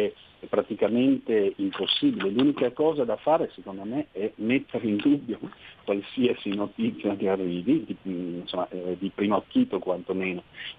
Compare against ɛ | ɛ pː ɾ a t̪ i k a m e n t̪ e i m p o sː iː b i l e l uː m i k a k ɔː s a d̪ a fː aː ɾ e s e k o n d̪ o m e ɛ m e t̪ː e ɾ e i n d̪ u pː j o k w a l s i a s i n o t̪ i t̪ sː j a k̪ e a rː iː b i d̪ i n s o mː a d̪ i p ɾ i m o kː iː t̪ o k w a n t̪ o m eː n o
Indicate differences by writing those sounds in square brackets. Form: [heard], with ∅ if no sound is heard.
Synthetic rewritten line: ɛ | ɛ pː ɾ a t̪ i k a m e n t̪ e i m p o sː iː b i l e l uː [n] i k a k ɔː [z] a d̪ a [f] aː ɾ e s e k o n d̪ o m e ɛ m e t̪ː e ɾ e i n d̪ u [bː] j o k w a l s i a s i n o t̪ i t̪ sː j a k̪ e a rː iː [v] i d̪ i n s o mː a d̪ i p ɾ i m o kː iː t̪ o k w a n t̪ o m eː n o